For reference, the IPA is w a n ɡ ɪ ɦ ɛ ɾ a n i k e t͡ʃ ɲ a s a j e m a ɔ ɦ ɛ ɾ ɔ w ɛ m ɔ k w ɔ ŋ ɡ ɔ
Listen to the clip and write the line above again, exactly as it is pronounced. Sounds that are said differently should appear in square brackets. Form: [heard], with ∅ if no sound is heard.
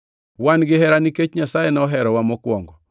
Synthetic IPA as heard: w a n ɡ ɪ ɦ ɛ ɾ a n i k e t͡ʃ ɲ a s a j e [n] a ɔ ɦ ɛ ɾ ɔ w [a] m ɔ k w ɔ ŋ ɡ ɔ